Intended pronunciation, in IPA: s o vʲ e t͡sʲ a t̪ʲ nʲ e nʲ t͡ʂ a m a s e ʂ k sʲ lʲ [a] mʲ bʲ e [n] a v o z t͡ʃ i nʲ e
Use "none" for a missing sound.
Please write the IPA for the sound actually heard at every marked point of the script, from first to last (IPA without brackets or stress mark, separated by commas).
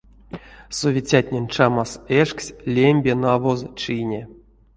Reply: e, n